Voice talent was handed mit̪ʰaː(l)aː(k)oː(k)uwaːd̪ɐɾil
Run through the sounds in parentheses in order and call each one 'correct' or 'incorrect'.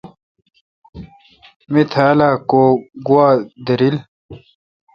correct, correct, incorrect

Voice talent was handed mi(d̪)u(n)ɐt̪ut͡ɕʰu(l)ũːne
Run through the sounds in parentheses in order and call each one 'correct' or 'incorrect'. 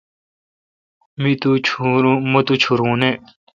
incorrect, incorrect, incorrect

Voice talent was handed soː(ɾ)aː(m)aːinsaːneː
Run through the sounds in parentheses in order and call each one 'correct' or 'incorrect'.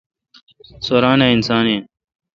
correct, incorrect

